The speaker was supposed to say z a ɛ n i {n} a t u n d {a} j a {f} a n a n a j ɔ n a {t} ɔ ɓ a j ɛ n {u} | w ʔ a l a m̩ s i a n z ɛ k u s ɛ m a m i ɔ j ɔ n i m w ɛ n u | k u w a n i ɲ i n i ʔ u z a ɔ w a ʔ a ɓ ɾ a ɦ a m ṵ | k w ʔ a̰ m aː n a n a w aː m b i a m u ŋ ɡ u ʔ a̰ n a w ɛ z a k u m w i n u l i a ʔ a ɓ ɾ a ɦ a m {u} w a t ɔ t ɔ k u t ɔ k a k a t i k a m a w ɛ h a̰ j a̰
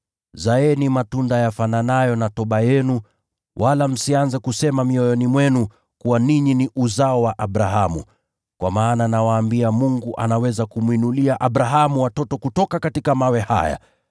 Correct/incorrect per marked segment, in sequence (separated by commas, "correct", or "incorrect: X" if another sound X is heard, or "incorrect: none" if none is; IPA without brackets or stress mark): incorrect: m, correct, correct, correct, correct, correct